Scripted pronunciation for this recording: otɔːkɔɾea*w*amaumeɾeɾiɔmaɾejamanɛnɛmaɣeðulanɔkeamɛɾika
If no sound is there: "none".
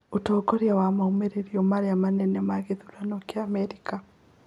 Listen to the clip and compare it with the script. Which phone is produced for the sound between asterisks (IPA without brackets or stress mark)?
w